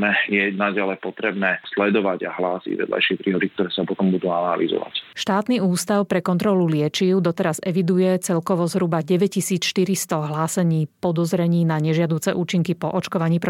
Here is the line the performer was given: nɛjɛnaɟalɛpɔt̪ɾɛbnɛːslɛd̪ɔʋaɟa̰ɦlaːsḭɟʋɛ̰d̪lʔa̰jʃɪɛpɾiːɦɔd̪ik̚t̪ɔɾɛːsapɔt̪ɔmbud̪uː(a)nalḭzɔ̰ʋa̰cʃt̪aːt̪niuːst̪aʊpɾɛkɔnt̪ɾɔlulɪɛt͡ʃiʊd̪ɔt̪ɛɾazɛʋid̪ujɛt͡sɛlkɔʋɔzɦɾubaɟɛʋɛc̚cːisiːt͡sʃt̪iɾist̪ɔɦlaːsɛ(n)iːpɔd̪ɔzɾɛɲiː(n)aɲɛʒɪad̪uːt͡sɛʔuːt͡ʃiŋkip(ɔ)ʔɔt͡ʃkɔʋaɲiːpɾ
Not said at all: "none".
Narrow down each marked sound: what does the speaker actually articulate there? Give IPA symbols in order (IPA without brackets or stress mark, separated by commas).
a, ɲ, n, ɔ